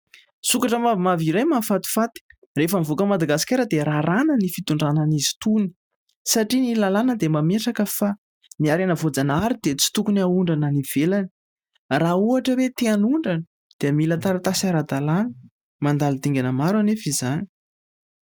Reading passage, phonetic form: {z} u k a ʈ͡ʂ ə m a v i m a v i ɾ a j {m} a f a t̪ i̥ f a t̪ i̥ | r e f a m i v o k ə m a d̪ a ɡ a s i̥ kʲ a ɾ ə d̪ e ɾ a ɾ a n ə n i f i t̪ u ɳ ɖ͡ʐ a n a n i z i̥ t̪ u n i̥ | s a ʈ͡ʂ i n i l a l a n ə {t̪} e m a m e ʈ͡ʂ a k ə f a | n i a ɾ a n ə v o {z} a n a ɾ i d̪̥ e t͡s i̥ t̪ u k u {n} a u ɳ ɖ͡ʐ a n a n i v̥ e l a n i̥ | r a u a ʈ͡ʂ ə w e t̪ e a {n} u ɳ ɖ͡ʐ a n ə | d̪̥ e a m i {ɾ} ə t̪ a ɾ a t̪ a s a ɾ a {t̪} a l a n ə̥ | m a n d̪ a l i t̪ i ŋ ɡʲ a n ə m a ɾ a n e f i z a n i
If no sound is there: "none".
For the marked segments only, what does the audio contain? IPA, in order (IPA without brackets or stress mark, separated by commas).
s, m, d̪, d͡z, n, n, l, d̪